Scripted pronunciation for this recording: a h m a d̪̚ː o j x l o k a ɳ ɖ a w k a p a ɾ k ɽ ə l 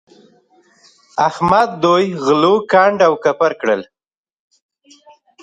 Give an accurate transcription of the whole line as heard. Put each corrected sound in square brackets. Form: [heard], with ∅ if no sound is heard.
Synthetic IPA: a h m a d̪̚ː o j [ɣ] l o k a ɳ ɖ a w k a p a ɾ k ɽ ə l

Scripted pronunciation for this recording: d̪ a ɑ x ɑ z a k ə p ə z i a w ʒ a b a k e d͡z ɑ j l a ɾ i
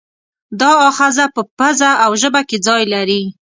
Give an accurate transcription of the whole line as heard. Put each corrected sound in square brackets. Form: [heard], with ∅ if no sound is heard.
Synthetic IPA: d̪ [ɑ] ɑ x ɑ z a [p] ə p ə z [a] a w ʒ [ə] b a k e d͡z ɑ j l a ɾ i

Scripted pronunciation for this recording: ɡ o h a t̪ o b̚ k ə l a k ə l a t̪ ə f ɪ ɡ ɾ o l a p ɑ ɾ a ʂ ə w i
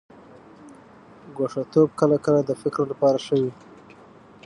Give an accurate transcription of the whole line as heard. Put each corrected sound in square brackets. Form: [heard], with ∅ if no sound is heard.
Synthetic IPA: ɡ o [ʂ] a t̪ o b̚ k ə l a k ə l a [d̪] ə f ɪ [k] ɾ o l a p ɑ ɾ a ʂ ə w i

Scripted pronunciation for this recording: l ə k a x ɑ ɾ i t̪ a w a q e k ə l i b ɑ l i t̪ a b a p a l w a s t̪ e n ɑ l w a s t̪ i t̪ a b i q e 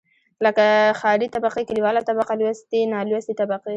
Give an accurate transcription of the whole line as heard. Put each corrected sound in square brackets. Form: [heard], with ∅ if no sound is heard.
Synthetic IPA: l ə k a x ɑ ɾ i t̪ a [b] a q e k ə l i [w] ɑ l [a] t̪ a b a [q] a l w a s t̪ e n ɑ l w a s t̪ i t̪ a b [a] q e

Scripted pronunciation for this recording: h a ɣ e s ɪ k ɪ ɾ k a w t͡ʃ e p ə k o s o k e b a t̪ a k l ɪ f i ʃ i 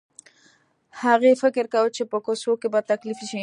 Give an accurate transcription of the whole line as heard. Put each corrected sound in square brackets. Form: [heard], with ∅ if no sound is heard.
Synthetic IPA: h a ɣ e [f] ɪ k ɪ ɾ k a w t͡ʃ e p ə k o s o k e b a t̪ a k l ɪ f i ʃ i

